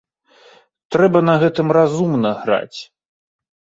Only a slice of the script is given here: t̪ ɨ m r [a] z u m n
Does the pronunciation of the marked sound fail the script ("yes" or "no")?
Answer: no